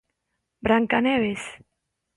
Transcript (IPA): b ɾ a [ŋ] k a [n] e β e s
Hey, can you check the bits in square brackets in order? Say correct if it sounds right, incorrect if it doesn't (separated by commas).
correct, correct